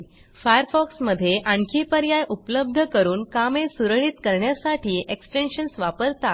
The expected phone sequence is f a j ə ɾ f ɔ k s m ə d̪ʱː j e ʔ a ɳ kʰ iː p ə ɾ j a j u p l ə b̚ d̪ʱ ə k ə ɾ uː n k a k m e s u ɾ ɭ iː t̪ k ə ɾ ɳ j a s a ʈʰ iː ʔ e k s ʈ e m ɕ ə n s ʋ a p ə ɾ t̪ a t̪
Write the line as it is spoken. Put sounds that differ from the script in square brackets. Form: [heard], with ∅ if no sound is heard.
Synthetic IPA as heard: f a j ə ɾ f ɔ k s m ə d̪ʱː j e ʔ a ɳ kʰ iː p ə ɾ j a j u p l ə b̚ d̪ʱ ə k ə ɾ uː n k a [∅] m e s u ɾ ɭ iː t̪ k ə ɾ ɳ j a s a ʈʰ iː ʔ e k s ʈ e [n] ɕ ə n s ʋ a p ə ɾ t̪ a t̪